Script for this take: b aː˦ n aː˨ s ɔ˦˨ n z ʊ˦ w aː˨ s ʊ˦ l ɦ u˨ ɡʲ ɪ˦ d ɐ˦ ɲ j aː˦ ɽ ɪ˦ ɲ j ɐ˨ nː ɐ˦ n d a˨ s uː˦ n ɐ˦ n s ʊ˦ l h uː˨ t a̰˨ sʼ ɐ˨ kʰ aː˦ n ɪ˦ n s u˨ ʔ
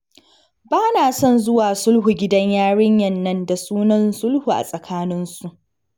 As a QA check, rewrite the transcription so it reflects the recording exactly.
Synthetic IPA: b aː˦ n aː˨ s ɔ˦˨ n z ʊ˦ w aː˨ s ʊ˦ l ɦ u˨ ɡʲ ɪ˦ d ɐ˦ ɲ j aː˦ ɽ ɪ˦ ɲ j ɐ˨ nː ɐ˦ n d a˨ s uː˦ n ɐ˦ n s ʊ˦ l h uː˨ ʔ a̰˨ sʼ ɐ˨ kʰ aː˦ n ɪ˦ n s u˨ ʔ